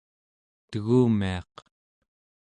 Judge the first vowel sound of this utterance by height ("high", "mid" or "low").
mid